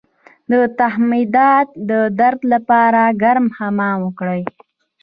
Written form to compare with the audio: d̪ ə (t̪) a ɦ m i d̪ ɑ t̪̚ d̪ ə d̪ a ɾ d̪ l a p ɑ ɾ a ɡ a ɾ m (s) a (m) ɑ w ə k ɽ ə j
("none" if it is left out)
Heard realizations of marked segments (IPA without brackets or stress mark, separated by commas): t̪, h, m